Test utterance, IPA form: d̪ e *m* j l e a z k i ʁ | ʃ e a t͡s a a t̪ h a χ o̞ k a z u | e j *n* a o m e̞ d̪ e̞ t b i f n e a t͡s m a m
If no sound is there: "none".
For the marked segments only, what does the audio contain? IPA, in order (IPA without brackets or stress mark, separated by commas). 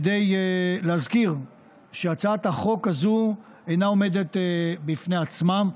none, n